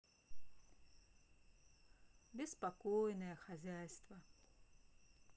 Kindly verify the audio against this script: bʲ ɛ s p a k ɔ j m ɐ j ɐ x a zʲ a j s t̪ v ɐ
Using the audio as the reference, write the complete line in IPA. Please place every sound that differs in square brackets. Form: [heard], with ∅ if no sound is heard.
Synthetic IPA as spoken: bʲ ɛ s p a k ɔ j [n] ɐ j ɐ x a zʲ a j s t̪ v ɐ